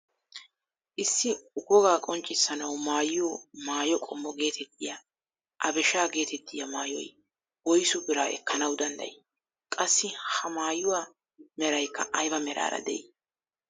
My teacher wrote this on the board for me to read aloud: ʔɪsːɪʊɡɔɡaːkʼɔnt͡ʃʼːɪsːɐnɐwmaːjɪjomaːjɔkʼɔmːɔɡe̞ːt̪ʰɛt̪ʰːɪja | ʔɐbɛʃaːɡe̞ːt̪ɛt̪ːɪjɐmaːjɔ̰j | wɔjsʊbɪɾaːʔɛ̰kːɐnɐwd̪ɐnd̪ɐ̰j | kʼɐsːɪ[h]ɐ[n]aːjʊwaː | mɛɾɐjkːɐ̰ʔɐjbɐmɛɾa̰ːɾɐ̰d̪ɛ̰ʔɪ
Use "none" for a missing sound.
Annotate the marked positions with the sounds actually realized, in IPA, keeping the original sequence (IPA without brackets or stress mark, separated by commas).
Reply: h, m